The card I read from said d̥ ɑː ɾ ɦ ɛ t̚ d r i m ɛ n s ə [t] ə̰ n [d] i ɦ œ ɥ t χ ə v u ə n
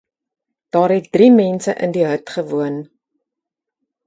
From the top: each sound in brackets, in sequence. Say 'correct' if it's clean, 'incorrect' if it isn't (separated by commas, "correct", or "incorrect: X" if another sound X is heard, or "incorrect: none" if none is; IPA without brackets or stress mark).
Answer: incorrect: ʔ, correct